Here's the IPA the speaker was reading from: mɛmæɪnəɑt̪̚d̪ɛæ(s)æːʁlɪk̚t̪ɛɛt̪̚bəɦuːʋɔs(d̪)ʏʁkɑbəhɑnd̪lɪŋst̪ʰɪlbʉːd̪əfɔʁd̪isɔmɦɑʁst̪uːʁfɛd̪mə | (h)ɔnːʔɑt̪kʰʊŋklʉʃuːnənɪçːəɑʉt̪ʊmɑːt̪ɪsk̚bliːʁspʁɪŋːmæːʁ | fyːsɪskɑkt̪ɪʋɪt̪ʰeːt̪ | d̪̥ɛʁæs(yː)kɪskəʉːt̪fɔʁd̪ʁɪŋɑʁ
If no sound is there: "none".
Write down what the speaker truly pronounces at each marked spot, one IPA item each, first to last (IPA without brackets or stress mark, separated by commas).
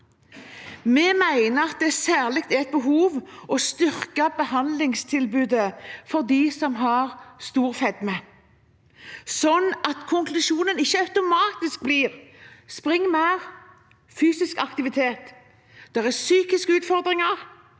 s, t̪, s, yː